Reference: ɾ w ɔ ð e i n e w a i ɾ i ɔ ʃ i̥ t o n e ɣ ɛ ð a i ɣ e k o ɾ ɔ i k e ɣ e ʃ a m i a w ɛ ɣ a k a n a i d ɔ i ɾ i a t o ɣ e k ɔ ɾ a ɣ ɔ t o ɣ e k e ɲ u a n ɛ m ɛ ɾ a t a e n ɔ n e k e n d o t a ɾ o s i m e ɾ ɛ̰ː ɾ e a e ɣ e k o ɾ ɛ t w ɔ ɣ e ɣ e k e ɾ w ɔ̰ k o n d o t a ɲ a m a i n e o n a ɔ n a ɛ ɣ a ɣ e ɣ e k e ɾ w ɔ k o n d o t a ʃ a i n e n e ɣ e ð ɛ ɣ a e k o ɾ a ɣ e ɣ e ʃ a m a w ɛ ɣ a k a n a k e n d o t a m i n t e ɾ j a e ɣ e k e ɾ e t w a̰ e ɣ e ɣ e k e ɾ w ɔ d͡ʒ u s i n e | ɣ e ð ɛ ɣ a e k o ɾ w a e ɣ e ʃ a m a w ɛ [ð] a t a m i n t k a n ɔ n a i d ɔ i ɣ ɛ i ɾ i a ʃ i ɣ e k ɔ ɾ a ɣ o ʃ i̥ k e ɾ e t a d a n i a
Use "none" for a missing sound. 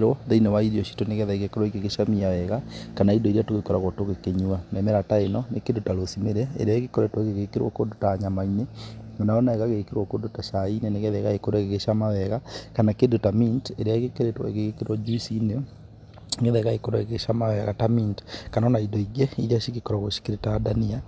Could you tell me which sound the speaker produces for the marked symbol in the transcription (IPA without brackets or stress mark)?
ɣ